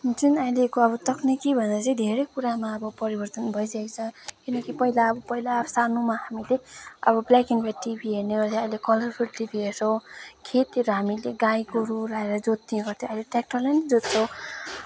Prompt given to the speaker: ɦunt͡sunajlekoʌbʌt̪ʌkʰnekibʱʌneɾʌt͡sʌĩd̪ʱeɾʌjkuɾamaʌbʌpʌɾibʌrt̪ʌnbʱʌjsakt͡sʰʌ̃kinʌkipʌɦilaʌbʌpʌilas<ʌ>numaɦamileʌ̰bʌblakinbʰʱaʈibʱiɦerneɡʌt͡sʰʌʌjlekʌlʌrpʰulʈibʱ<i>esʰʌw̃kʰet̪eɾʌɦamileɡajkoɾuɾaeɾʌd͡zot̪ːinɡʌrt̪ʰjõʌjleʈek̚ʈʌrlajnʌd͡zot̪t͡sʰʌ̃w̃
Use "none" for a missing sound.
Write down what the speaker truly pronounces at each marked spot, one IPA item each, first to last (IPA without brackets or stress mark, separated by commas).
a, i